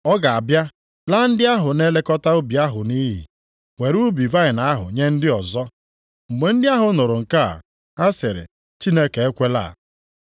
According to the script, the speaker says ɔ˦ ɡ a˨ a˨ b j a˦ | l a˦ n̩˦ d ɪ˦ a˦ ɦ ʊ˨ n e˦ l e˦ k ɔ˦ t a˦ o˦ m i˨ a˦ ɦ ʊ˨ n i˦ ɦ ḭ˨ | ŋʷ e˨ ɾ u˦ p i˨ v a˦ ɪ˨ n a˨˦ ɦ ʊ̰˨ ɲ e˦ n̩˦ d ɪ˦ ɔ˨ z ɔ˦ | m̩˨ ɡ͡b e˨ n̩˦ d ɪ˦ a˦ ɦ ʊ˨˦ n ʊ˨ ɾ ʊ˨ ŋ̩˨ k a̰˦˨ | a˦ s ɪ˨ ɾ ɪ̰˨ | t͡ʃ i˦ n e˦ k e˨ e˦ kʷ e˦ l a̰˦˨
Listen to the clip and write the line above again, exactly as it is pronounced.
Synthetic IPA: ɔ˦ ɡ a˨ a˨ b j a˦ | l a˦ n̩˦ d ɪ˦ a˦ ɦ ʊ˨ n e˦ l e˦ k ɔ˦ t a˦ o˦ b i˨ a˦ ɦ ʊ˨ n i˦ ɦ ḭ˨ | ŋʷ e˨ ɾ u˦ b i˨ v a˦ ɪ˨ n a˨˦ ɦ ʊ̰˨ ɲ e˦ n̩˦ d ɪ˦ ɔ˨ z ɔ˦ | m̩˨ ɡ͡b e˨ n̩˦ d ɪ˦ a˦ ɦ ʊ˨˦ n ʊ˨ ɾ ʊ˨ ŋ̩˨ k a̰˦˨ | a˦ s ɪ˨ ɾ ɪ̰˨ | t͡ʃ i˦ n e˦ k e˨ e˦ kʷ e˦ l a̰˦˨